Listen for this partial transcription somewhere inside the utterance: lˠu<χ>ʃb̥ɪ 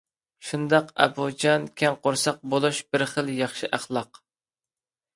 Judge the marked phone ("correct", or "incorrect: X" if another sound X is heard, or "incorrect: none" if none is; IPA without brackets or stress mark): incorrect: none